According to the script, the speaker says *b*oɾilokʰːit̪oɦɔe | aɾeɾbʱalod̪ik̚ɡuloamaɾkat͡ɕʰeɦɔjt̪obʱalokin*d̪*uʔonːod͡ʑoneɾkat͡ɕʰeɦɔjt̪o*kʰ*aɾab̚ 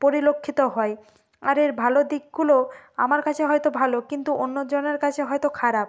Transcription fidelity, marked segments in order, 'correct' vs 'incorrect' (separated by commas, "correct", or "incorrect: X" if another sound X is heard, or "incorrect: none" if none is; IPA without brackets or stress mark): incorrect: p, incorrect: t̪, correct